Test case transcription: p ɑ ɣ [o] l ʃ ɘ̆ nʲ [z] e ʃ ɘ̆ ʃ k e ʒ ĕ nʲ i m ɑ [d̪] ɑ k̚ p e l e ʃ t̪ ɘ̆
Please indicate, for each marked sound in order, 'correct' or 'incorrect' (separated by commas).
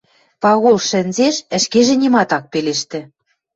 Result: correct, correct, incorrect